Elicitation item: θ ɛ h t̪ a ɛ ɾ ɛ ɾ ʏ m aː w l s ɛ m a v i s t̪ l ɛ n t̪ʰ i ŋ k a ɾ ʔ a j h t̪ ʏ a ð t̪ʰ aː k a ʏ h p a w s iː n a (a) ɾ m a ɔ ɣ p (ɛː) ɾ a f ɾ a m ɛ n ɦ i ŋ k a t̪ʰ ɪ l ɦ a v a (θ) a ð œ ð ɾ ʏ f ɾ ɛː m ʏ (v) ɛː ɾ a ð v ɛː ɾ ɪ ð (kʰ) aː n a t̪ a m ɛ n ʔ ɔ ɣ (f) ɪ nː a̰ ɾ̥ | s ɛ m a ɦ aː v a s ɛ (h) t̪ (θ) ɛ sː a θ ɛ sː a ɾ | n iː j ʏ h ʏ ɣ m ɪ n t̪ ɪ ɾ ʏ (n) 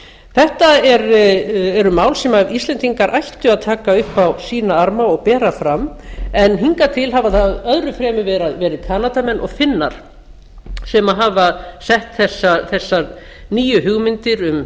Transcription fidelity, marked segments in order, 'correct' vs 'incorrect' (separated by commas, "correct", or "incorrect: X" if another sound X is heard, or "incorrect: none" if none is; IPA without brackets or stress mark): correct, correct, correct, correct, correct, correct, correct, correct, incorrect: m